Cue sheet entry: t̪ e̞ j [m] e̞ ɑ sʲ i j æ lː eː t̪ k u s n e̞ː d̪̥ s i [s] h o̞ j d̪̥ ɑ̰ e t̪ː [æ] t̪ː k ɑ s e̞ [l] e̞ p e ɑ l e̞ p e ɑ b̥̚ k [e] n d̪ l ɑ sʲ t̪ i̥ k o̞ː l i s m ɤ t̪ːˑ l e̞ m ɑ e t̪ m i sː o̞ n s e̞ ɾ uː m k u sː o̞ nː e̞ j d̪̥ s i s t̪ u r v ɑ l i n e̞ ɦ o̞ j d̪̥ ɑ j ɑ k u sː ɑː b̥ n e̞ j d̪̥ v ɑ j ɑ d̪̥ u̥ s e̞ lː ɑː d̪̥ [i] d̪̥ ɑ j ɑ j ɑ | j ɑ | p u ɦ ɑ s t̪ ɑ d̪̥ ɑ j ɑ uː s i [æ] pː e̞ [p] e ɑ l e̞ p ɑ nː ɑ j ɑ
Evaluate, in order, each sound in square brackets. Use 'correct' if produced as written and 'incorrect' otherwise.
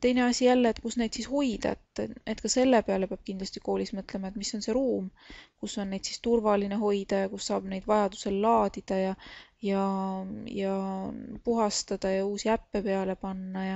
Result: incorrect: n, correct, incorrect: e, incorrect: lː, incorrect: i, correct, correct, correct

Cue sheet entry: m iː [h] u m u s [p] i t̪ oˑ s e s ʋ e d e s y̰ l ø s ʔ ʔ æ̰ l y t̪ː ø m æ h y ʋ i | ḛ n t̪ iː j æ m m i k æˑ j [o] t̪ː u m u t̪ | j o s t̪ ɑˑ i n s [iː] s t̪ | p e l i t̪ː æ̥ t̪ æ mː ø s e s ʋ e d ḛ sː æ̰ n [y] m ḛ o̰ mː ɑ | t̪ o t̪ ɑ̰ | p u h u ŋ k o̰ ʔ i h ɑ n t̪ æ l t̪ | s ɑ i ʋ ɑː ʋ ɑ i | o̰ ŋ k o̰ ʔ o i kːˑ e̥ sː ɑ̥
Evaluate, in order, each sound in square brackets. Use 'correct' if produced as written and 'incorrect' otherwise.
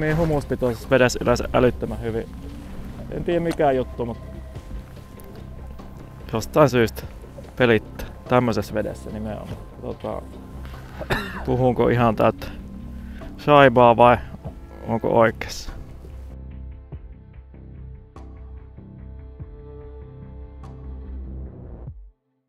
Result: correct, correct, incorrect: u, incorrect: yː, incorrect: i

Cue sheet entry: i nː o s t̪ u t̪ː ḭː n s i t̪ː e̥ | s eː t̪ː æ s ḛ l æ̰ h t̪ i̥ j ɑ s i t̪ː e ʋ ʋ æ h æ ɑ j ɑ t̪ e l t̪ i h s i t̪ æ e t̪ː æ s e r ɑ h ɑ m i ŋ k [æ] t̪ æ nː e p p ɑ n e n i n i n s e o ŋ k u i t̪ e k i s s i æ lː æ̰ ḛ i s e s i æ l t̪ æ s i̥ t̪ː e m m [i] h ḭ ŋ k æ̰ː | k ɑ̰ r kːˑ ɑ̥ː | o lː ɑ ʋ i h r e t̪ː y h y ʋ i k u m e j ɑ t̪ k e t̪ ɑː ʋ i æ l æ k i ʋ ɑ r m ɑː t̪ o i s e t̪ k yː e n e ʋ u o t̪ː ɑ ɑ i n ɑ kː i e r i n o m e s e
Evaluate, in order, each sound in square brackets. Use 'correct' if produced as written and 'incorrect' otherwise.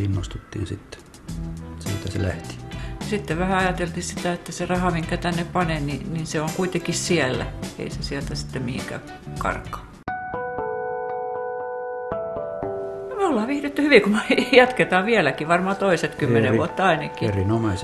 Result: correct, correct

